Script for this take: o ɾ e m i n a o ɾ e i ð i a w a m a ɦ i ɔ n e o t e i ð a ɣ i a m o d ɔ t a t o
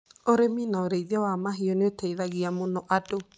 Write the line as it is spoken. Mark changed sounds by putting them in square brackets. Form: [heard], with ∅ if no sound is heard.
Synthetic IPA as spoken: o ɾ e m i n a o ɾ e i ð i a w a m a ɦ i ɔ n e o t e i ð a ɣ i a m o [n] ɔ [ʔ] a [d] o